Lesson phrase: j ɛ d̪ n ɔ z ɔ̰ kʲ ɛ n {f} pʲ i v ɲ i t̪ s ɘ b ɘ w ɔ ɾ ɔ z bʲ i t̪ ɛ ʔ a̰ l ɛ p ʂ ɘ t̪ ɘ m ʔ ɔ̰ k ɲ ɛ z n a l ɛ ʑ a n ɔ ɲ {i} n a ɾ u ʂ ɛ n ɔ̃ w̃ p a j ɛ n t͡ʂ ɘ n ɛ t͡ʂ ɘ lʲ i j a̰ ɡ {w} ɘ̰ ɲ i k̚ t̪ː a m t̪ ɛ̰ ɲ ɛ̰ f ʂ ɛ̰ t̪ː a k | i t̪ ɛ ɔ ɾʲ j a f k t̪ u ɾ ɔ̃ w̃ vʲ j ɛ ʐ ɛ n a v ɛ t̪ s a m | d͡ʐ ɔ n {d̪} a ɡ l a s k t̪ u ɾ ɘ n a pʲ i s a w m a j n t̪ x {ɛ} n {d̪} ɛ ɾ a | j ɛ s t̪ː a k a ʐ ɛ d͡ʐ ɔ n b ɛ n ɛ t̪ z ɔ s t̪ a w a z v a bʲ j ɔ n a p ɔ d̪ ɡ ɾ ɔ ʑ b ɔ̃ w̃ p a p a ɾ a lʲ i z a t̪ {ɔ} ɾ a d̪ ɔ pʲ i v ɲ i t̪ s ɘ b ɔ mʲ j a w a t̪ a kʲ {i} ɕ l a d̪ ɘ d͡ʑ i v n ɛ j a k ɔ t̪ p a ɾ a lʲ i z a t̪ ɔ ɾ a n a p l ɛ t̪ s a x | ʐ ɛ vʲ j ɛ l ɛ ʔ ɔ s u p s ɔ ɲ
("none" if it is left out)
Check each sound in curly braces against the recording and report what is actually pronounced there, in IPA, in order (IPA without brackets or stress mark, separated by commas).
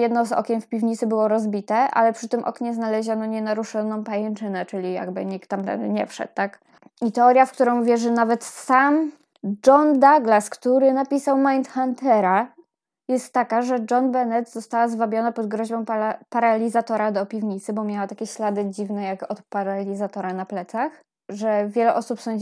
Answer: f, ɛ, b, d̪, a, t̪, ɔ, ɛ